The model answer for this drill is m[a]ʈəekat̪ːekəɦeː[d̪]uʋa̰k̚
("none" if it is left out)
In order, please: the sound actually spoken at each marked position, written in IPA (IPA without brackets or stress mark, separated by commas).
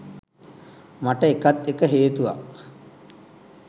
a, t̪